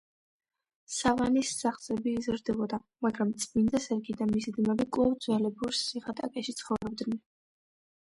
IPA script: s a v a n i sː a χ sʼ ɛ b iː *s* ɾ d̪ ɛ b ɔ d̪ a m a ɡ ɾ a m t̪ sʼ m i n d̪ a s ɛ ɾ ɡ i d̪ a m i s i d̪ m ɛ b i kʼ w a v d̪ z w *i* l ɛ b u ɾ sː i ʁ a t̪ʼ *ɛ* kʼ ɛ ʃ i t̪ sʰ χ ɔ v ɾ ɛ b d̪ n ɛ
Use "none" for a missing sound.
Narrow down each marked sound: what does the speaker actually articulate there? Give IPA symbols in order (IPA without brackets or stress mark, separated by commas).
z, ɛ, a